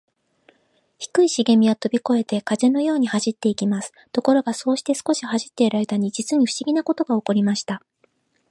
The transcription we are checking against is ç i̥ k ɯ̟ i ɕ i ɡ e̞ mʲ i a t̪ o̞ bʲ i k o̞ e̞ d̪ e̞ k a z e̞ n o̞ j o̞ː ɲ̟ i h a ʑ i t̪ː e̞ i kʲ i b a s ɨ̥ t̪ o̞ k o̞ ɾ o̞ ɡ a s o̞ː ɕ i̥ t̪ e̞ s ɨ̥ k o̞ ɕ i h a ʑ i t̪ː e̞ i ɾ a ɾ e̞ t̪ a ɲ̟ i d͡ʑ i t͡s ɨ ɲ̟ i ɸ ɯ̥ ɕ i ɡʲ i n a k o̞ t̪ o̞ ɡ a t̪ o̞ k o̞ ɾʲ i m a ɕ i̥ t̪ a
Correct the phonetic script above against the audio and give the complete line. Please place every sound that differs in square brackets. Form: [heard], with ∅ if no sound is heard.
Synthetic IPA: ç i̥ k ɯ̟ i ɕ i ɡ e̞ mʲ i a t̪ o̞ bʲ i k o̞ e̞ [t̪] e̞ k a z e̞ n o̞ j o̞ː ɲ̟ i h a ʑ i t̪ː e̞ i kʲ i [m] a s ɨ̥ t̪ o̞ k o̞ ɾ o̞ ɡ a s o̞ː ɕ i̥ t̪ e̞ s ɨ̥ k o̞ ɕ i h a ʑ i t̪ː e̞ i ɾ a ɾ e̞ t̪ a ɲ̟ i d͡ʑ i t͡s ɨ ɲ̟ i ɸ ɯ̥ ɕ i ɡʲ i n a k o̞ t̪ o̞ ɡ a [∅] o̞ k o̞ ɾʲ i m a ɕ i̥ t̪ a